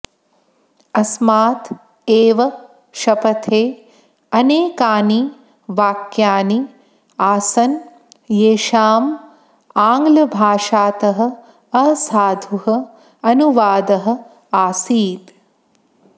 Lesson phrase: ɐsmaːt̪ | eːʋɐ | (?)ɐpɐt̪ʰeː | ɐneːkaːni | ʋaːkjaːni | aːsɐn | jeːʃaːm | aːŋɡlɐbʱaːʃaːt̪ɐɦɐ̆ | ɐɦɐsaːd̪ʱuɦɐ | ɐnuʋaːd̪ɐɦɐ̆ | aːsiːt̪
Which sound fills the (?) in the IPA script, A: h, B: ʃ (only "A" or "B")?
B